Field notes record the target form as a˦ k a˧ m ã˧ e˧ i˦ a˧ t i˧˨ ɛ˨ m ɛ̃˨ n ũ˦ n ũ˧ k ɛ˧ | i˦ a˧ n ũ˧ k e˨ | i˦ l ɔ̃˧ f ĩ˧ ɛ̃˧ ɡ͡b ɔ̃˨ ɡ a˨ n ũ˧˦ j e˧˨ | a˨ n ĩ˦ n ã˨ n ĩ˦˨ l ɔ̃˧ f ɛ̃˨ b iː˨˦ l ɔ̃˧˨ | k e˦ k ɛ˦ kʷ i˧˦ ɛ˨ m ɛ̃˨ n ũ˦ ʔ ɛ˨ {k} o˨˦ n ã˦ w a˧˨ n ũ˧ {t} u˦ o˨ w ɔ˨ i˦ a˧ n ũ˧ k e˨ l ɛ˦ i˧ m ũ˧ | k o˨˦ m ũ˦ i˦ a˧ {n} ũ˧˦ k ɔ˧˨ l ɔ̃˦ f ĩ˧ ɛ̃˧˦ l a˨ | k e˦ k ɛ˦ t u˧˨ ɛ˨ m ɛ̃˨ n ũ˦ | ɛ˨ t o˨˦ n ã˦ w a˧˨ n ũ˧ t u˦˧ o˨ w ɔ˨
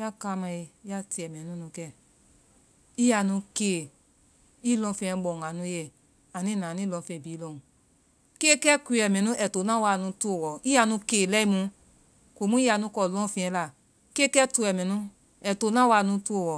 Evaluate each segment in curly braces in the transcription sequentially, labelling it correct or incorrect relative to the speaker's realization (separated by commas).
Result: incorrect, correct, correct